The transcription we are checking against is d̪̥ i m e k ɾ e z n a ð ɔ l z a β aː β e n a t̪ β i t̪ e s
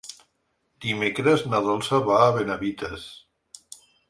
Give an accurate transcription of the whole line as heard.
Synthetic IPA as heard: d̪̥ i m e k ɾ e z n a ð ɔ l s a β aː β e n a β i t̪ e s